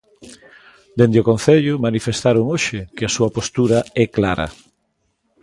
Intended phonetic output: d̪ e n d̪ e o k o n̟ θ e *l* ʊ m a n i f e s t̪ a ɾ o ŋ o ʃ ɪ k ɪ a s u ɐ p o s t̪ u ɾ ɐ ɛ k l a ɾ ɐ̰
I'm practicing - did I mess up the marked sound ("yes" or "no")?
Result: yes